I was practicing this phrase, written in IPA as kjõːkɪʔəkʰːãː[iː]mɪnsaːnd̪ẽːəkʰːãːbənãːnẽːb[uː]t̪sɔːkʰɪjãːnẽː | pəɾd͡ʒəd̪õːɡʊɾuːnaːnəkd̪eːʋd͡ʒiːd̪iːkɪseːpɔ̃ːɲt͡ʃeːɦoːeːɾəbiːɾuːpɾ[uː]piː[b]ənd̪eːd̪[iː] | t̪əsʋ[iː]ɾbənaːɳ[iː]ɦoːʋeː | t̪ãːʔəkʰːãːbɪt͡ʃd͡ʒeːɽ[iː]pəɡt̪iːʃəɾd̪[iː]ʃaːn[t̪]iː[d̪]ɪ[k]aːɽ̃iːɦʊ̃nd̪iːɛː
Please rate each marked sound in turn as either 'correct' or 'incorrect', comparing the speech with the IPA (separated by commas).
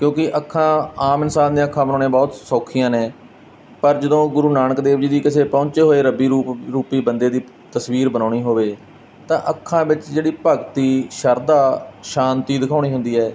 incorrect, incorrect, correct, correct, correct, correct, correct, correct, incorrect, correct, correct, incorrect